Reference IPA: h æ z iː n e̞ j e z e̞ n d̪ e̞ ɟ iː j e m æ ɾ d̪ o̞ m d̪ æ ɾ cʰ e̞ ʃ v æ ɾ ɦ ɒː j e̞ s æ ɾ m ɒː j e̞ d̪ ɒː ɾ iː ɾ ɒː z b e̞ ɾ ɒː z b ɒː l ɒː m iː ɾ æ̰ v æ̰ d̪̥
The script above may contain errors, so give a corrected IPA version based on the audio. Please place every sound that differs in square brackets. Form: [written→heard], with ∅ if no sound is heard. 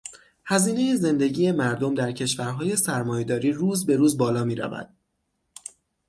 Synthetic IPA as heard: h æ z iː n e̞ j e z e̞ n d̪ e̞ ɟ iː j e m æ ɾ d̪ o̞ m d̪ æ ɾ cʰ e̞ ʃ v æ ɾ ɦ ɒː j e̞ s æ ɾ m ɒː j e̞ d̪ ɒː ɾ iː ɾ [ɒː→uː] z b e̞ ɾ [ɒː→uː] z b ɒː l ɒː m iː ɾ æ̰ v æ̰ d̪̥